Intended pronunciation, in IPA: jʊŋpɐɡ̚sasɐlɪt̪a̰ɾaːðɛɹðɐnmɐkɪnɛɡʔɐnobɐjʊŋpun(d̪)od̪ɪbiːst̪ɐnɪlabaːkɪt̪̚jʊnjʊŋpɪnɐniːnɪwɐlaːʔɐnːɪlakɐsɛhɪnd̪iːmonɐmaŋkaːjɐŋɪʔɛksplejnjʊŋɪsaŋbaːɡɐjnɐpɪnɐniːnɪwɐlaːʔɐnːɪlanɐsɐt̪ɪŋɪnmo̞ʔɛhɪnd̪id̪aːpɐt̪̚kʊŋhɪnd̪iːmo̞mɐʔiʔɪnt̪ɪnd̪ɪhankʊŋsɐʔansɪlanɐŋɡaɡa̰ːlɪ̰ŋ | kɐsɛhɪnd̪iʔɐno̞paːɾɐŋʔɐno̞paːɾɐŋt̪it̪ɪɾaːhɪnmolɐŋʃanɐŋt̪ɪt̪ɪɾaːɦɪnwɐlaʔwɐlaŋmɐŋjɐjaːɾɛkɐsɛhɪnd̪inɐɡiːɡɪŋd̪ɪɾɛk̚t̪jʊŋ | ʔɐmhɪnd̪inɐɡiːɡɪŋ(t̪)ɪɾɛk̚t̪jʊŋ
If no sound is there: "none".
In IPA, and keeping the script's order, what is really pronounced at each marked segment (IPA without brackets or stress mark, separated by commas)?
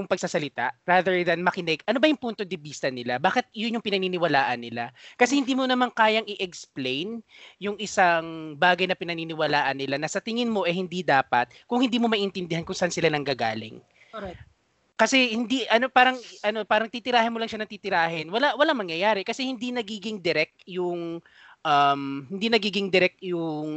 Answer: t̪, d̪